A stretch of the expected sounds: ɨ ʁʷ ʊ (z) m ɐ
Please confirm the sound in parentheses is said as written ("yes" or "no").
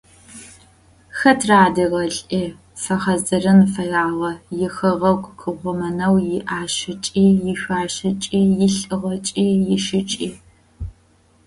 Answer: no